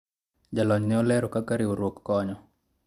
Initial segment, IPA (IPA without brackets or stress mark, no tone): d͡ʒ